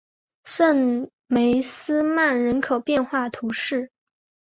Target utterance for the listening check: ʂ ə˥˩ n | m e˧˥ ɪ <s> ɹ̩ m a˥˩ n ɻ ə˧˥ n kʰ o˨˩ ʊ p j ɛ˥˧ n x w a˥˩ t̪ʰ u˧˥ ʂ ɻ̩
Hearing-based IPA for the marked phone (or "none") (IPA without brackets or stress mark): s